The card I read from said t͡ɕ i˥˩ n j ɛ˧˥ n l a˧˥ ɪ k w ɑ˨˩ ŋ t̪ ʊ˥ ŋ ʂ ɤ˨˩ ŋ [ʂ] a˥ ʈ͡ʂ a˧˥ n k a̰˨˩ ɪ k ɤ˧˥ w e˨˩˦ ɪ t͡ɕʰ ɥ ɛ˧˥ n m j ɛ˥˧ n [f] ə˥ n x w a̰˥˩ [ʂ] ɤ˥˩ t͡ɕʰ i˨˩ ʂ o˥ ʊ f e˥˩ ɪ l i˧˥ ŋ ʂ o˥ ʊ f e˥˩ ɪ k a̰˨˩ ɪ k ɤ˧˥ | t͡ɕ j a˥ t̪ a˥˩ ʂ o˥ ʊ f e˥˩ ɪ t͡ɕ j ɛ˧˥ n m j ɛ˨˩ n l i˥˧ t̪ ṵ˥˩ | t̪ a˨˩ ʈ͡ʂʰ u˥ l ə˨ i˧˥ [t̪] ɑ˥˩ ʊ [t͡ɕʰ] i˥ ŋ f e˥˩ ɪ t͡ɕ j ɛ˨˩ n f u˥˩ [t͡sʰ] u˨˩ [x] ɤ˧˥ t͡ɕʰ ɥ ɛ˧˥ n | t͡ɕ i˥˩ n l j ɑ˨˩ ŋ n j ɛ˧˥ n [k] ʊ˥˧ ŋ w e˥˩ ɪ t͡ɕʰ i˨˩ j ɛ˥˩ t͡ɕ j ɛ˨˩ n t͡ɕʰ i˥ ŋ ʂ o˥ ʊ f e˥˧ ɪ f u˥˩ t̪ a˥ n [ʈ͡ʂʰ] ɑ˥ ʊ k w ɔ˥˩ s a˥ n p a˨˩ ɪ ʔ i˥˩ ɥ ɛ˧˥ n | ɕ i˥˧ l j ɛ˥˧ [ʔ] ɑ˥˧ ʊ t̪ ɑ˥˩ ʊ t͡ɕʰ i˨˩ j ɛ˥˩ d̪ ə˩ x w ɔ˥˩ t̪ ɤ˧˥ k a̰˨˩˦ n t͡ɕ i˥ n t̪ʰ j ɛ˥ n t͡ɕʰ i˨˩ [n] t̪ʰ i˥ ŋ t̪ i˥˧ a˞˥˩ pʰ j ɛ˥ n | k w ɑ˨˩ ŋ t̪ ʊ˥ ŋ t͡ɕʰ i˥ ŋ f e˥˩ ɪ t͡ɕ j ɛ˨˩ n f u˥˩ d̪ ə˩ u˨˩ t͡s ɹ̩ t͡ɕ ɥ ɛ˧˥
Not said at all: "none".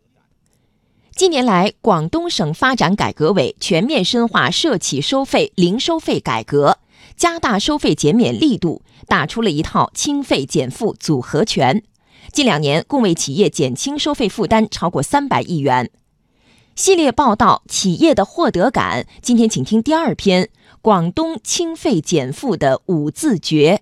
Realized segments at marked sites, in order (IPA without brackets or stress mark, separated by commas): f, ʂ, ʂ, t̪ʰ, t͡ɕʰ, t͡s, x, k, ʈ͡ʂʰ, p, ŋ